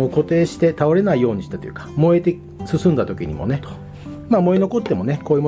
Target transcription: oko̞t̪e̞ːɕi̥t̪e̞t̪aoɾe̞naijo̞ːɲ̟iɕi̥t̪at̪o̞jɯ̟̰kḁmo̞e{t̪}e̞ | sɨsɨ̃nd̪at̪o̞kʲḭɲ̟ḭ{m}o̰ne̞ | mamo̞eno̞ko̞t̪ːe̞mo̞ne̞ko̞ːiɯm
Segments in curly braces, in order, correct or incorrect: correct, correct

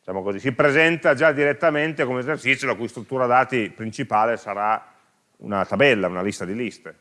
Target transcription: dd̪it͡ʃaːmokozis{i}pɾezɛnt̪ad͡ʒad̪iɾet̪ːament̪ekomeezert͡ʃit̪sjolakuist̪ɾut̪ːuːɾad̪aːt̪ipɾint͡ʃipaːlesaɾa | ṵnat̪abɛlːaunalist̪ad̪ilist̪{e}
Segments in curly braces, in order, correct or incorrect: correct, correct

